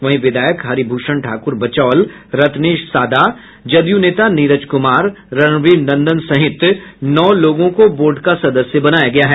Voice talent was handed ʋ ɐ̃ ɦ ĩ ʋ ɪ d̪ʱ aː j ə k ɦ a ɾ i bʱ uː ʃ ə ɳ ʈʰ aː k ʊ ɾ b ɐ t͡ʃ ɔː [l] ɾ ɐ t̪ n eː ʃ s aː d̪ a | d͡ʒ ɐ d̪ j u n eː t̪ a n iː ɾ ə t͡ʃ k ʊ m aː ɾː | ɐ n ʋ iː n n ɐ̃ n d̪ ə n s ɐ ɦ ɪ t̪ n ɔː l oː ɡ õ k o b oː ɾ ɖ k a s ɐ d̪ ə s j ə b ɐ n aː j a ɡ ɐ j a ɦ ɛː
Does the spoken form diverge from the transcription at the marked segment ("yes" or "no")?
no